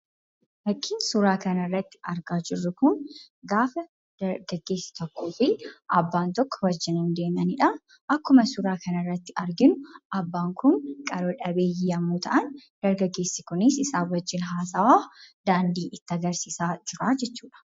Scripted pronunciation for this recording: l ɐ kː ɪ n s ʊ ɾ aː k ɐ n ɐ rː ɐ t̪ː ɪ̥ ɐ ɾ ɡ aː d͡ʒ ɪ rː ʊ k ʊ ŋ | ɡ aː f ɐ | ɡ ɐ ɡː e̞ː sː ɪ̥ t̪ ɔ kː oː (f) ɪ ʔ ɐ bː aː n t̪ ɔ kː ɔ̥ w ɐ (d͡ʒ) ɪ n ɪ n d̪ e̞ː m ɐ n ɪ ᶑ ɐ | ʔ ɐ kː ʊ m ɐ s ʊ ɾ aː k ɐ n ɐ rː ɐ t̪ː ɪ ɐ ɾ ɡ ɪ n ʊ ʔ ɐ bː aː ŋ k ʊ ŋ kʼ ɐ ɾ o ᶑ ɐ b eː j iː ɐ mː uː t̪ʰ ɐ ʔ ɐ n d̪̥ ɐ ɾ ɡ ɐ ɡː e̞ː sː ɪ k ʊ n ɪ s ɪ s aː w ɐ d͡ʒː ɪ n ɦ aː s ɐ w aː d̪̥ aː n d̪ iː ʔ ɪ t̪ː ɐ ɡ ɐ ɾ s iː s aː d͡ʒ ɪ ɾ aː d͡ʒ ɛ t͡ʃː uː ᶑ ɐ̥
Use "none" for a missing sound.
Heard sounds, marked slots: f, d͡ʒː

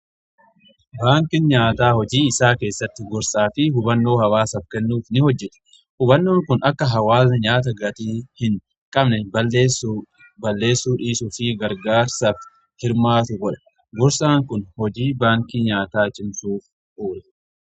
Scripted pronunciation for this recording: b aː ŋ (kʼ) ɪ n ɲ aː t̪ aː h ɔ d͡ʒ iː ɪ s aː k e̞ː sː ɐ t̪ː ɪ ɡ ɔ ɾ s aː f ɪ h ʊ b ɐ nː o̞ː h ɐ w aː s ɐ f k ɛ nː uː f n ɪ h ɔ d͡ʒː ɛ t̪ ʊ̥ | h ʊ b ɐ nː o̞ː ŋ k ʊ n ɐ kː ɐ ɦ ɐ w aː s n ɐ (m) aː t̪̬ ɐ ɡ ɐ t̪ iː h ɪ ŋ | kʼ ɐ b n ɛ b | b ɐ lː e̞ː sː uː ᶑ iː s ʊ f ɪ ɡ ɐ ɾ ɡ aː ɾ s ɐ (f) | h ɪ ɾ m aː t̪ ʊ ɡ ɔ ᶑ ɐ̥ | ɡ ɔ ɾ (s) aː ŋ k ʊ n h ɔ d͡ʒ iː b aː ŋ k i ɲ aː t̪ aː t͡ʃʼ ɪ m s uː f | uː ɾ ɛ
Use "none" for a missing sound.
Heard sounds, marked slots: k, ɲ, f, s

